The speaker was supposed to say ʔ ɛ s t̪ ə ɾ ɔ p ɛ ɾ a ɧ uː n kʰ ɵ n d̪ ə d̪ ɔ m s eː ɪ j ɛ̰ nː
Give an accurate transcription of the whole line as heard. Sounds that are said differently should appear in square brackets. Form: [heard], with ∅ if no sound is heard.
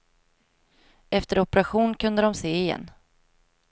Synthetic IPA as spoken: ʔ ɛ [f] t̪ ə ɾ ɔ p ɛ ɾ a ɧ uː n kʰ ɵ n d̪ ə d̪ ɔ m s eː ɪ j ɛ̰ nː